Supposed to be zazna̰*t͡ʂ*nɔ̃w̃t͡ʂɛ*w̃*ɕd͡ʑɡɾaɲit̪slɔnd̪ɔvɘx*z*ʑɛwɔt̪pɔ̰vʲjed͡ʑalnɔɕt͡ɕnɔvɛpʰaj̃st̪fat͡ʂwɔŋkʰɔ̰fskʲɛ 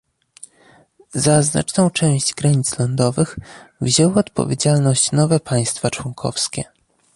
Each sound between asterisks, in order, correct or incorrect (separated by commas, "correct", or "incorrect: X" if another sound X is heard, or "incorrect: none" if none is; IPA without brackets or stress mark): correct, correct, incorrect: v